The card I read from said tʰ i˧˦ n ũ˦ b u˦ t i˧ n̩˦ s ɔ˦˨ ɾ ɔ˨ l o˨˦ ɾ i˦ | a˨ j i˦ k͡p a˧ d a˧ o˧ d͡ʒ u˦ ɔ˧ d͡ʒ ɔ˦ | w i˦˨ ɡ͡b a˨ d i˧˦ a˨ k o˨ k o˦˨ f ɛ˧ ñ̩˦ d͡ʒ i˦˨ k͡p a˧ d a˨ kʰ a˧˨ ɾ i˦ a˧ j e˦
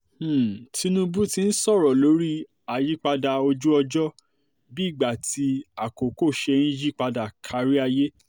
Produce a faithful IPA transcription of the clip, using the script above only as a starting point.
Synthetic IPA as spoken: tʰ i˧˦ n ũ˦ b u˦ t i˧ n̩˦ s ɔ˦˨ ɾ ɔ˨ l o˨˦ ɾ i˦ | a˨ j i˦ k͡p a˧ d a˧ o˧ d͡ʒ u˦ ɔ˧ d͡ʒ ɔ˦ | b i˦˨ ɡ͡b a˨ t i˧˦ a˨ k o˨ k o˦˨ ʃ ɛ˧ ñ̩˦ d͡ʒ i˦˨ k͡p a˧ d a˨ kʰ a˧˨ ɾ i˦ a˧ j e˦